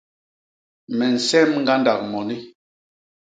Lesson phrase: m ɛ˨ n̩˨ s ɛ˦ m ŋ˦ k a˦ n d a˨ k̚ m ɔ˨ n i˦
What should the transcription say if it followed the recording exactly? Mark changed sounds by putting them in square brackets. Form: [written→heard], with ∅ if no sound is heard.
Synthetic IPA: m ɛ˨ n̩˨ s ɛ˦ m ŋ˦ [k→ɡ] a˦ n d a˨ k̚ m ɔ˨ n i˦